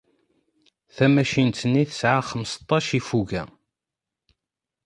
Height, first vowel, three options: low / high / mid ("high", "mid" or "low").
low